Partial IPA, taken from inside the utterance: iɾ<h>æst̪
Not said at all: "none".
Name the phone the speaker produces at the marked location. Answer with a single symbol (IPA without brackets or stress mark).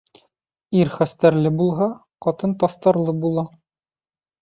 χ